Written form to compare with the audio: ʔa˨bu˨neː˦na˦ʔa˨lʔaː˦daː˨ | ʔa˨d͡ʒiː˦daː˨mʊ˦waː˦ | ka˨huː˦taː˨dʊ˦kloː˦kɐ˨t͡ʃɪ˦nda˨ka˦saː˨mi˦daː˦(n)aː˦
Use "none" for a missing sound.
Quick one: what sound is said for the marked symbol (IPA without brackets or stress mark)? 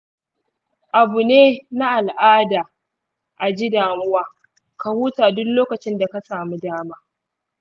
m